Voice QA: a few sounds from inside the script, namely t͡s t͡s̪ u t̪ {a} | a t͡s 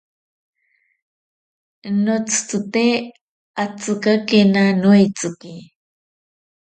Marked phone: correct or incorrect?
incorrect